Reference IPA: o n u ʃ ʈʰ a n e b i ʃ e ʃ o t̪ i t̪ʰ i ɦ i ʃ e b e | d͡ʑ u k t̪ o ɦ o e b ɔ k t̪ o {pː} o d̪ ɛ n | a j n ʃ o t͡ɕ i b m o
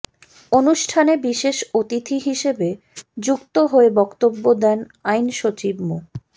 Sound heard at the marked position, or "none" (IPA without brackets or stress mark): bː